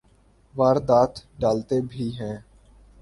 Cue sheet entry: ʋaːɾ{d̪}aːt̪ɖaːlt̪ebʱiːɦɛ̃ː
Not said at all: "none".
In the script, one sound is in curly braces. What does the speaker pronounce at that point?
d̪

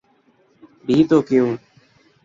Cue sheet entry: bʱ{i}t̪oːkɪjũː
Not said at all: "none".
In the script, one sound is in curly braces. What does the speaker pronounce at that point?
iː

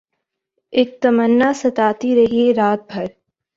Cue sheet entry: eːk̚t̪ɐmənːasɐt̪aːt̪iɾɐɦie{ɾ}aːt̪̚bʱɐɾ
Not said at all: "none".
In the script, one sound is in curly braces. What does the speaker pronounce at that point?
ɾ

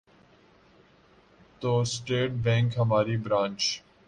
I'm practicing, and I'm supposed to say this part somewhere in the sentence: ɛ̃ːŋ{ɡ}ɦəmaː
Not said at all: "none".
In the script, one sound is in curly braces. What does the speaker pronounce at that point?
k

